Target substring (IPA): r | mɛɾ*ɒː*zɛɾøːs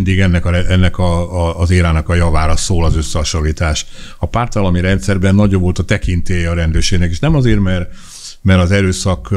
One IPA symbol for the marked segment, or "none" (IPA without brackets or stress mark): ɒ